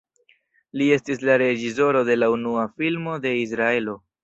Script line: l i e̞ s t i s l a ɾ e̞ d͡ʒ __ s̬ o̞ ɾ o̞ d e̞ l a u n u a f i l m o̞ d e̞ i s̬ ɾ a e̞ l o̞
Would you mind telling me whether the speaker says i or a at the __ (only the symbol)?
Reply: i